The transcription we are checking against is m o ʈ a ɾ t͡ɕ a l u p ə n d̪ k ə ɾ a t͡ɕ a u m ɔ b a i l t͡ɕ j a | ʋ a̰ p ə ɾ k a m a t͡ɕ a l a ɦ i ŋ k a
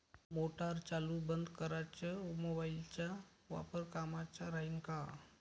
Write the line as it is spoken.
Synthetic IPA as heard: m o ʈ a ɾ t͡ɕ a l u b ə n d̪ k ə ɾ a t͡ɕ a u m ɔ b a i l t͡ɕ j a | ʋ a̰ p ə ɾ k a m a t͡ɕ a ɾ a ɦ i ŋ k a